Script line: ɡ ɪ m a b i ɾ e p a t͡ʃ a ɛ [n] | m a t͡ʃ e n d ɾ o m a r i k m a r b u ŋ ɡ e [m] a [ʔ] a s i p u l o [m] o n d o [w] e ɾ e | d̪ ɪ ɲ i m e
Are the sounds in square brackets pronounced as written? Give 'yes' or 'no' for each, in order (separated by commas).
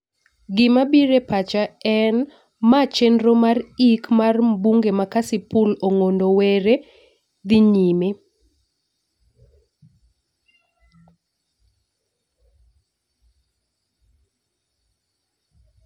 yes, yes, no, no, yes